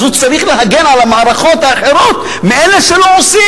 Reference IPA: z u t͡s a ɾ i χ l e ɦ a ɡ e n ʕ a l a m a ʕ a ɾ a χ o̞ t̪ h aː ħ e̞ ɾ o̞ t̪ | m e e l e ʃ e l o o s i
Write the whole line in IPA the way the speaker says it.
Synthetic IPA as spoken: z u t͡s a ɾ i χ l e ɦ a ɡ e n ʕ a l a m a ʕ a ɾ a χ o̞ t̪ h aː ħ e̞ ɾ o̞ t̪ | m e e l e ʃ e l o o s i